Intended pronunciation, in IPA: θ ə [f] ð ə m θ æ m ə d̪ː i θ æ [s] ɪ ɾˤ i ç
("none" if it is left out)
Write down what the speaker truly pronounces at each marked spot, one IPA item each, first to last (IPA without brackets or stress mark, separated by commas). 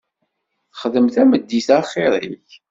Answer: χ, χ